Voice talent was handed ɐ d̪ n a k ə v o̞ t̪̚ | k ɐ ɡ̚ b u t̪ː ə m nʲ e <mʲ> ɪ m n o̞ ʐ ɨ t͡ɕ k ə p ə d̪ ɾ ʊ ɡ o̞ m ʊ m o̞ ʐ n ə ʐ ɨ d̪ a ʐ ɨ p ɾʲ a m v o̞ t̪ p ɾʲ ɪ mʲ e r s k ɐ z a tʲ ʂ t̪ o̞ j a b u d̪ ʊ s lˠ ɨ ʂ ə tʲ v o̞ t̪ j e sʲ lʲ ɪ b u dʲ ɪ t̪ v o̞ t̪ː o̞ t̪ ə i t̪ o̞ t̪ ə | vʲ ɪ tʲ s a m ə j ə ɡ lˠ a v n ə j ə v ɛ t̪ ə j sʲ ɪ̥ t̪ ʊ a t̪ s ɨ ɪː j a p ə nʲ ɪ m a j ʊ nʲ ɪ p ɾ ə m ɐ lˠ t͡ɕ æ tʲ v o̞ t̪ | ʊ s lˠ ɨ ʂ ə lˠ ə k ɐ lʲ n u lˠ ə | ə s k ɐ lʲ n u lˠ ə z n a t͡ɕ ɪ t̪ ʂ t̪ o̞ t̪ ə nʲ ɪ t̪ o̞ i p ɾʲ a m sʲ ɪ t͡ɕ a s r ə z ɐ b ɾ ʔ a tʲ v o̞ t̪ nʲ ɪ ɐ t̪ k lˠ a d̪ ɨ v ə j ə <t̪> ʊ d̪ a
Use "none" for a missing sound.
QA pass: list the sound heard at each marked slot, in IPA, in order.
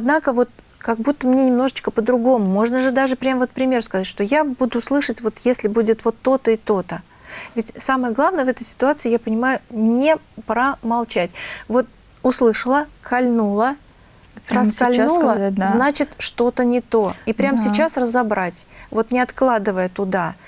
nʲ, t̪

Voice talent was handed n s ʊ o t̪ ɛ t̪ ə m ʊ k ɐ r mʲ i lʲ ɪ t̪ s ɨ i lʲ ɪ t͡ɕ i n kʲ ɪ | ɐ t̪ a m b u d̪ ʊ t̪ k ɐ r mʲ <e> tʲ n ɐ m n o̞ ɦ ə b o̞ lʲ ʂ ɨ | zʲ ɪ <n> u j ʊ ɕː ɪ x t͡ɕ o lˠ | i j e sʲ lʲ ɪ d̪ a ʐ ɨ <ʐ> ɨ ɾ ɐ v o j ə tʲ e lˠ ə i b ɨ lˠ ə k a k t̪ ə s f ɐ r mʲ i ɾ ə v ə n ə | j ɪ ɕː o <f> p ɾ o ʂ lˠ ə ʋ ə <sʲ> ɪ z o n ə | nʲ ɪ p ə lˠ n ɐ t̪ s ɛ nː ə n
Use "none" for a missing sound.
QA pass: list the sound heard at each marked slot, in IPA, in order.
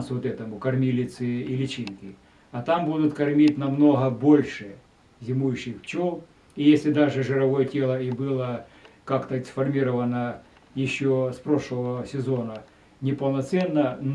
i, m, ʐ, s, sʲ

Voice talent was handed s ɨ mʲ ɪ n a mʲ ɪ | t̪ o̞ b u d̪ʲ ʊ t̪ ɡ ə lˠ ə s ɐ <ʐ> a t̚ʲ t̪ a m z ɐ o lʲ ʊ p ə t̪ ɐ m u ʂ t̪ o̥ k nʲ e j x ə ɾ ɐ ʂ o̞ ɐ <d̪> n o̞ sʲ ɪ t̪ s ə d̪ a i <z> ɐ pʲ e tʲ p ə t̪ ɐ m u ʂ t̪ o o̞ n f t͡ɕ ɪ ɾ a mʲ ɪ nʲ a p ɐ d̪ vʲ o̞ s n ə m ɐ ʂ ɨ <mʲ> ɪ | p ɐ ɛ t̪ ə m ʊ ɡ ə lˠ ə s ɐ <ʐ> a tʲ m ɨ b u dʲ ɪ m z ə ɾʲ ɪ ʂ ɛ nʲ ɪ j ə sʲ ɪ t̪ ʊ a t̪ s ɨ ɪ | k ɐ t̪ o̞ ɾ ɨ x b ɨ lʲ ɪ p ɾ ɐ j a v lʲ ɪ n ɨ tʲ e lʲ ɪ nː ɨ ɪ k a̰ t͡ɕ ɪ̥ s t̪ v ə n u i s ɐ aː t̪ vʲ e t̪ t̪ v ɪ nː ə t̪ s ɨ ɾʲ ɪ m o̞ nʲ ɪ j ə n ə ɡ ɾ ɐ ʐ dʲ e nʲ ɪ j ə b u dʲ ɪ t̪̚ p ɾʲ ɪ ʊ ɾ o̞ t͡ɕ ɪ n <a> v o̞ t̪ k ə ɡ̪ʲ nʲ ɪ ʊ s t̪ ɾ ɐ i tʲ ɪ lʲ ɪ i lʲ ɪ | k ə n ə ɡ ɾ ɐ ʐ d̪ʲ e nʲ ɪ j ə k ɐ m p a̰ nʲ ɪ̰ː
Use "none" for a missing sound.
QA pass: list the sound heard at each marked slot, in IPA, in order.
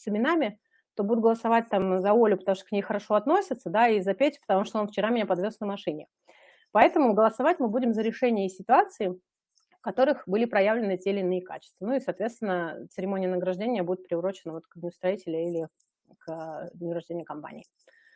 v, t̪, z, nʲ, v, ə

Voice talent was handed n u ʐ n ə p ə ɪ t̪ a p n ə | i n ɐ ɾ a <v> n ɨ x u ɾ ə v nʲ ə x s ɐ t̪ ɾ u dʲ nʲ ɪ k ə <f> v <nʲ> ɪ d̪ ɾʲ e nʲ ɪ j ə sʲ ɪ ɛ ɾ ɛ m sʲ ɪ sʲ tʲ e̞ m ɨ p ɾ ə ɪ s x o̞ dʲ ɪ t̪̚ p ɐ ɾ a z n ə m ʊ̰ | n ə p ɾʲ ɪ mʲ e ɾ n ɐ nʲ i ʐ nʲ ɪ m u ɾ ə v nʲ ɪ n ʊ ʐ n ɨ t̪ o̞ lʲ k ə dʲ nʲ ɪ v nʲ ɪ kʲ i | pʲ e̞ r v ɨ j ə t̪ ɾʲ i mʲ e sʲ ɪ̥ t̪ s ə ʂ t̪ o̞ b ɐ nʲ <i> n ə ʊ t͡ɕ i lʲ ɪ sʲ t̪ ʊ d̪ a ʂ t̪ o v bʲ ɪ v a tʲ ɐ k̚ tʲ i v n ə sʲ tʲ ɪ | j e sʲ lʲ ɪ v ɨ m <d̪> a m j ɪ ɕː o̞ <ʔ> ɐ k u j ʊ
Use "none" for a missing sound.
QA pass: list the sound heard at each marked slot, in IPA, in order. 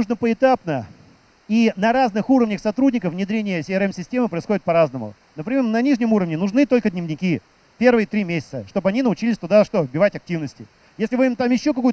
z, f, nʲ, i, t̪, k

